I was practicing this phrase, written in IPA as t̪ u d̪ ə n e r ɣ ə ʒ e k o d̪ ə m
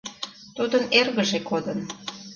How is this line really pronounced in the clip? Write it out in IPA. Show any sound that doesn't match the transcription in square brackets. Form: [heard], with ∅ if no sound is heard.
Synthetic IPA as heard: t̪ u d̪ ə n e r ɣ ə ʒ e k o d̪ ə [n]

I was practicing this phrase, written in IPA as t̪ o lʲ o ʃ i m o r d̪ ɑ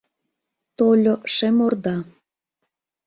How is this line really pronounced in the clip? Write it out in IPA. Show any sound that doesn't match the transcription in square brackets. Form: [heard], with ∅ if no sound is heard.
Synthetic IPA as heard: t̪ o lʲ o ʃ [e] m o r d̪ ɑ

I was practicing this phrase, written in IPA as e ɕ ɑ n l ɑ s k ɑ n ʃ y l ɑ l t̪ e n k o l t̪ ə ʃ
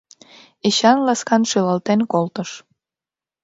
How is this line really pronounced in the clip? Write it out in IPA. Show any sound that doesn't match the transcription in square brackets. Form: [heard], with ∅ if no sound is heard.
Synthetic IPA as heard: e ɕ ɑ n l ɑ s k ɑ n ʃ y l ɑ l t̪ e n k o l t̪ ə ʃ

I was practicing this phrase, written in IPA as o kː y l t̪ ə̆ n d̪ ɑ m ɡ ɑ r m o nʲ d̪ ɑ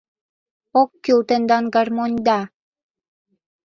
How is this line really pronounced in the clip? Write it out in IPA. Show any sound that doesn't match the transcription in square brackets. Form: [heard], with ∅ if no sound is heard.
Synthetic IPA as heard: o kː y l t̪ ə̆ n d̪ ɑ [n] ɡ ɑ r m o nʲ d̪ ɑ

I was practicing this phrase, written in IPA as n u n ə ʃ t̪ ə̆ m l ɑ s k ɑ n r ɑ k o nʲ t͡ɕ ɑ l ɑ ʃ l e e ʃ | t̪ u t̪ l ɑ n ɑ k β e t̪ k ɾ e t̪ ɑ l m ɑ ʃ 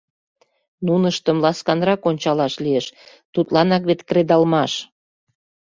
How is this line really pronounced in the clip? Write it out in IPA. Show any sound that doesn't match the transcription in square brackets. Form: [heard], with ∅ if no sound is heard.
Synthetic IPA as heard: n u n ə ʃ t̪ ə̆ m l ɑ s k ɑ n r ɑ k o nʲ t͡ɕ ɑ l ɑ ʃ l [i] e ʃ | t̪ u t̪ l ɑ n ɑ k β e t̪ k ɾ e [d̪] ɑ l m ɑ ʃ

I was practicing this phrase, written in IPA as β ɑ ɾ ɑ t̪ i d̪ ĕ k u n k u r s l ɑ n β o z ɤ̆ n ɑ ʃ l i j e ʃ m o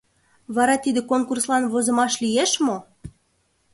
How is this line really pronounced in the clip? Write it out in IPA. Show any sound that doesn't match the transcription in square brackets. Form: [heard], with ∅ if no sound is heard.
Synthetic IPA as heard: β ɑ ɾ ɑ t̪ i d̪ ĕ k [o] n k u r s l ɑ n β o z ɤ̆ [m] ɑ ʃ l i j e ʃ m o

